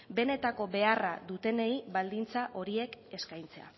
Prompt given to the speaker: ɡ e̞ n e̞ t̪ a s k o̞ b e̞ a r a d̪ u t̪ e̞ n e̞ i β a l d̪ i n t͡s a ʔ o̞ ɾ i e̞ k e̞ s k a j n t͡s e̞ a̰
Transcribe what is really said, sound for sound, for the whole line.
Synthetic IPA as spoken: b e̞ n e̞ t̪ a k o̞ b e̞ a r a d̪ u t̪ e̞ n e̞ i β a l d̪ i n t͡s a ʔ o̞ ɾ i e̞ k e̞ s k a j n t͡s e̞ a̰